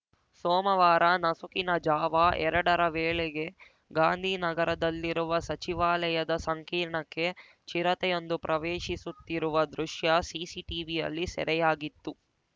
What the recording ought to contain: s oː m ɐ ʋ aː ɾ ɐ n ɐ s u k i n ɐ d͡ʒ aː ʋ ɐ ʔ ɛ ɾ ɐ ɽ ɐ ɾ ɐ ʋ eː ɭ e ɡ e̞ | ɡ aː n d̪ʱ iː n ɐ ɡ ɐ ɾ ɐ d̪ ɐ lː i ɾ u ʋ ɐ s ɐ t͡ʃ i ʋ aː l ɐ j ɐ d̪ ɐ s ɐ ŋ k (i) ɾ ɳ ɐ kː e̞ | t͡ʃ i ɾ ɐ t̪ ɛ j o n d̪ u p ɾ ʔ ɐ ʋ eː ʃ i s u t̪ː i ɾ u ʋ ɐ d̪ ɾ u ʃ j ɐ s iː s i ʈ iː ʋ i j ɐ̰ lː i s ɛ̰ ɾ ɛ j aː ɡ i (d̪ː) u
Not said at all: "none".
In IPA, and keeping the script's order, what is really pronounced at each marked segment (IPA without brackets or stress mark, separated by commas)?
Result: iː, t̪ː